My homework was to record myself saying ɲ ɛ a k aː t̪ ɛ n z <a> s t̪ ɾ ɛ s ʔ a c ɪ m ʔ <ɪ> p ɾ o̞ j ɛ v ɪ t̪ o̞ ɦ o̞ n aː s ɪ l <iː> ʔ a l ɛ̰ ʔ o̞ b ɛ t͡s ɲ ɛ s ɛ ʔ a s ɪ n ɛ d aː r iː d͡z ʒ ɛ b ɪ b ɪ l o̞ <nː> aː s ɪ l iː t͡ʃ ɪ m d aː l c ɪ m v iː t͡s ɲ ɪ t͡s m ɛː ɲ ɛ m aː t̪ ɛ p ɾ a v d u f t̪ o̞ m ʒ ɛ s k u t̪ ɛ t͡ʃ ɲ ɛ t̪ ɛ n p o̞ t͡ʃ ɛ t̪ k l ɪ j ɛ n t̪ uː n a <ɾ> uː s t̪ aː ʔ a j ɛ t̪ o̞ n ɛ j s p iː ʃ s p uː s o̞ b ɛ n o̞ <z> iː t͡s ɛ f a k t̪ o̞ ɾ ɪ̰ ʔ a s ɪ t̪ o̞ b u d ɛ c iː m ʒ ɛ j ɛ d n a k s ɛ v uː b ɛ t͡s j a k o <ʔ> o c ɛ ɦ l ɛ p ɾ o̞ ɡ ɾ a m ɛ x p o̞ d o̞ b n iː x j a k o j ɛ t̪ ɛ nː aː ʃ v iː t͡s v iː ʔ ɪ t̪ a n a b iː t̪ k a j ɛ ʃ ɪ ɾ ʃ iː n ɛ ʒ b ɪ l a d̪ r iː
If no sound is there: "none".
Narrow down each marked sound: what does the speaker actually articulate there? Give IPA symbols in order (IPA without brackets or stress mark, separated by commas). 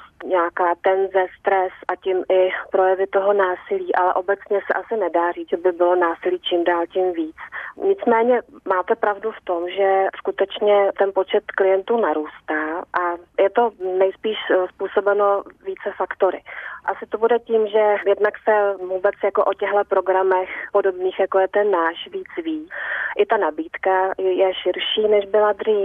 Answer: ɛ, ɪ, iː, n, ɾ, v, ʔ